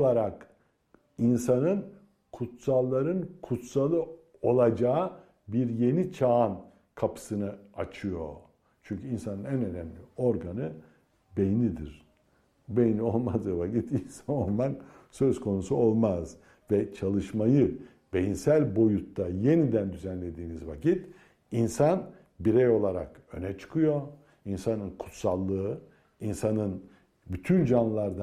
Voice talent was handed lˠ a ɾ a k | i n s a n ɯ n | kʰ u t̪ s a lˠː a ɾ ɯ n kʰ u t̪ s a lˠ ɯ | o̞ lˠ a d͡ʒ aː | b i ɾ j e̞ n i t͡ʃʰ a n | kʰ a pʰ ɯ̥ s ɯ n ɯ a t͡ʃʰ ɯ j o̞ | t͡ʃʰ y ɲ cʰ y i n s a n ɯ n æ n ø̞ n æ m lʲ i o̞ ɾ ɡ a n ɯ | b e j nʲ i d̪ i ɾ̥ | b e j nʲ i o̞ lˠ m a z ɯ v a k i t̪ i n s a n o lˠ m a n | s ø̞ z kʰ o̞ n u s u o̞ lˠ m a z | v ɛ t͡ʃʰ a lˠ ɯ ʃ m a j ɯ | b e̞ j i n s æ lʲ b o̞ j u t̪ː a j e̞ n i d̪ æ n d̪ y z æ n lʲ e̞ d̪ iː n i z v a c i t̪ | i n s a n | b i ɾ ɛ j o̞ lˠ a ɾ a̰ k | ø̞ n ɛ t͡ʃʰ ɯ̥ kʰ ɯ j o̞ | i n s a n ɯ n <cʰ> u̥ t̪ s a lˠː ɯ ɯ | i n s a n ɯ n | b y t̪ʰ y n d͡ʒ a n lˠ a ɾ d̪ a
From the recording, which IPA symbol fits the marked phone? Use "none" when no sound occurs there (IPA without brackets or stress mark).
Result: kʰ